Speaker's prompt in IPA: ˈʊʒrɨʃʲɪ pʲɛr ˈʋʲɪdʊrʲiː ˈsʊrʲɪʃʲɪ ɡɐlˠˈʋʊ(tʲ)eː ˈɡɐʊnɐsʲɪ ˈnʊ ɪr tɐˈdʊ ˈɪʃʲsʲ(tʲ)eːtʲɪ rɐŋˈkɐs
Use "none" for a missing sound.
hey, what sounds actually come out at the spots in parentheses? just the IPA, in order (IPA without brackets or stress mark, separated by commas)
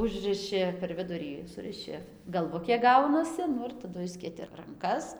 kʲ, kʲ